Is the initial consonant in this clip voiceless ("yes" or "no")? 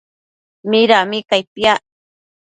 no